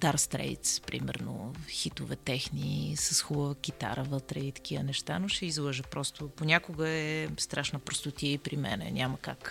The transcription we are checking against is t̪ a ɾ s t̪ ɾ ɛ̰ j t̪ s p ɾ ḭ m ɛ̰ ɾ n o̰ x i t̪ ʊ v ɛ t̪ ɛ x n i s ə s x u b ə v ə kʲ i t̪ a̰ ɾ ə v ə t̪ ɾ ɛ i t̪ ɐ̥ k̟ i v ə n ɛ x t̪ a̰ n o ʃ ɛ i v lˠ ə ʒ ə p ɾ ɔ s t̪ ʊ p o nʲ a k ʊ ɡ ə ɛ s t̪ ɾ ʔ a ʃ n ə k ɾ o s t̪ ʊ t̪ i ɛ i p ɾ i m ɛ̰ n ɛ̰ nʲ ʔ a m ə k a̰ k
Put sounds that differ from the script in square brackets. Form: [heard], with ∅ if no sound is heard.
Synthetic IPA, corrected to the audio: t̪ a ɾ s t̪ ɾ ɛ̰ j t̪ s p ɾ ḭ m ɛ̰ ɾ n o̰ x i t̪ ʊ v ɛ t̪ ɛ x n i s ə s x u b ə v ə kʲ i t̪ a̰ ɾ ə v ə t̪ ɾ ɛ i t̪ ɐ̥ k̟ i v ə n ɛ [ʃ] t̪ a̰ n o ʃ ɛ i [z] lˠ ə ʒ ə p ɾ ɔ s t̪ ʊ p o nʲ a k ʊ ɡ ə ɛ s t̪ ɾ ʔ a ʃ n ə [p] ɾ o s t̪ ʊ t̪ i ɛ i p ɾ i m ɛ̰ n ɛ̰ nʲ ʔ a m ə k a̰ k